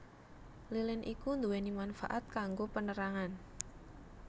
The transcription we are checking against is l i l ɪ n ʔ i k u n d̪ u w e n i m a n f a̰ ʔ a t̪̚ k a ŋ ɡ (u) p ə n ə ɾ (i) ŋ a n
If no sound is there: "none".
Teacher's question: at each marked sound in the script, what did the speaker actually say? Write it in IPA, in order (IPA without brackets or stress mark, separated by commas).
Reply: o, a